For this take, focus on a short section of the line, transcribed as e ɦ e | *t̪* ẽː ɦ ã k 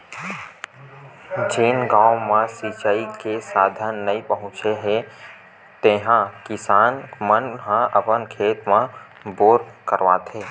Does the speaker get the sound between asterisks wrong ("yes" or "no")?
no